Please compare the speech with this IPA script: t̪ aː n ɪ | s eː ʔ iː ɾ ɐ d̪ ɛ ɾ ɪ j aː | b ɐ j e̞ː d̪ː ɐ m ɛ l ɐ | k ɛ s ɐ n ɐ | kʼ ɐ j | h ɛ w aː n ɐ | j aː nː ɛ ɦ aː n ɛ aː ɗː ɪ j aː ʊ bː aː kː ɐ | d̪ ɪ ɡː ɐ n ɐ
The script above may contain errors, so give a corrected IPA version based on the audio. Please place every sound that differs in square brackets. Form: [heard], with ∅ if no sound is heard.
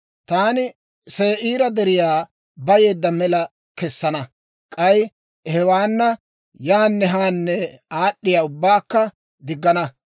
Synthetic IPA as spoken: t̪ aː n ɪ | s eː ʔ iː ɾ ɐ d̪ ɛ ɾ ɪ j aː | b ɐ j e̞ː d̪ː ɐ m ɛ l ɐ | k ɛ [sː] ɐ n ɐ | kʼ ɐ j | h ɛ w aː [nː] ɐ | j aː nː ɛ ɦ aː [nː] ɛ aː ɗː ɪ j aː ʊ bː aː kː ɐ | d̪ ɪ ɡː ɐ n ɐ